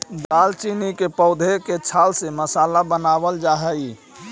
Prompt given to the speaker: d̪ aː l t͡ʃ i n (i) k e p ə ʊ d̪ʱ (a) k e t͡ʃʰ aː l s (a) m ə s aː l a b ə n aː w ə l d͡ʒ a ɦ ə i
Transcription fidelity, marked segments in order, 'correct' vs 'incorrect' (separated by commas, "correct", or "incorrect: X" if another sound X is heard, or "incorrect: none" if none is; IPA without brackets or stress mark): correct, incorrect: e, incorrect: e